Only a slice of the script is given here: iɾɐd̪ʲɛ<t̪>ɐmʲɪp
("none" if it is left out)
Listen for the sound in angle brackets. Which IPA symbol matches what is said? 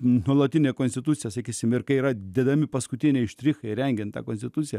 d̪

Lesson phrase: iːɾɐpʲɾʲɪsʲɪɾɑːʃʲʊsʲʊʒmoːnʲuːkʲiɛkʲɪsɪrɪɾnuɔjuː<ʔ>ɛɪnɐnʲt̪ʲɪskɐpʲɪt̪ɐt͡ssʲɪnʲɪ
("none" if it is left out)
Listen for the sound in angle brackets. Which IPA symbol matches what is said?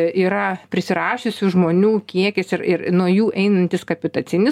ʔ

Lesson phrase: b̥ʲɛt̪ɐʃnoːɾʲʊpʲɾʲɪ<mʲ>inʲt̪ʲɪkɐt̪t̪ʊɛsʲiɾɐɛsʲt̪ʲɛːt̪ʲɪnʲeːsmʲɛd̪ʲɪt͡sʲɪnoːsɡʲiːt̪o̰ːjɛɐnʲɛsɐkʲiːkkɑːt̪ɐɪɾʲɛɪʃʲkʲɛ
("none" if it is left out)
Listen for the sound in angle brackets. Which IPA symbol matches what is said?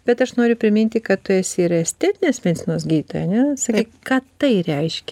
mʲ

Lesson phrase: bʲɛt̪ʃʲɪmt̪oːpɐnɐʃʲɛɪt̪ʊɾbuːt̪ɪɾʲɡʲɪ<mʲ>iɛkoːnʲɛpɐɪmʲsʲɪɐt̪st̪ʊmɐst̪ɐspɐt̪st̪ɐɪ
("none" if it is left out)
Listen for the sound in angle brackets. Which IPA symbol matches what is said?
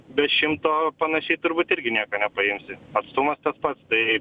nʲ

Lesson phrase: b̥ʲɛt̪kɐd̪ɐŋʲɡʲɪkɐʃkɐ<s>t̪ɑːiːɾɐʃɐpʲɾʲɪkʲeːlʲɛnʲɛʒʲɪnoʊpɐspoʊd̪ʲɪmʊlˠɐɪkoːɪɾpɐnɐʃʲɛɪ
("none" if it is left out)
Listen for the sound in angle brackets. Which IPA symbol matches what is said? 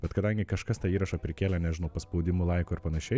s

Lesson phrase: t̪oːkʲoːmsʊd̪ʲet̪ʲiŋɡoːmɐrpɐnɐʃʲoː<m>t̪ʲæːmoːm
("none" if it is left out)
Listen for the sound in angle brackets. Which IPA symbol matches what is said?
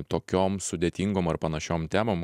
m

